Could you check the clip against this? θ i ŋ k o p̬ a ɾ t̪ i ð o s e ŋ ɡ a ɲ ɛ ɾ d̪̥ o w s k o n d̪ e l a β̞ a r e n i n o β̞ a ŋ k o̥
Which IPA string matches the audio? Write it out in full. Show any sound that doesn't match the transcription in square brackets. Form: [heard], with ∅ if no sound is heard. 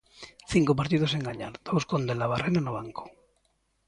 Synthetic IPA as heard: θ i ŋ k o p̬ a ɾ t̪ i ð o s e ŋ ɡ a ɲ [a] ɾ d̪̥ o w s k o n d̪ e l a β̞ a r e n [a] n o β̞ a ŋ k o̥